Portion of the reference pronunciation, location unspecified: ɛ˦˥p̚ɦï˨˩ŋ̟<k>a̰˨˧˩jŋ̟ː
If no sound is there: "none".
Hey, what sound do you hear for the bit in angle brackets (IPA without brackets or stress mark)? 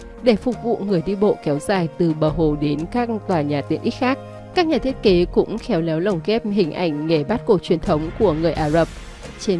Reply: ʔ